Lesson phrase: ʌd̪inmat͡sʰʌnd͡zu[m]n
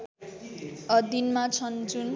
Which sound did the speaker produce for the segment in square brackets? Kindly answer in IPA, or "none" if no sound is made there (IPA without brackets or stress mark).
none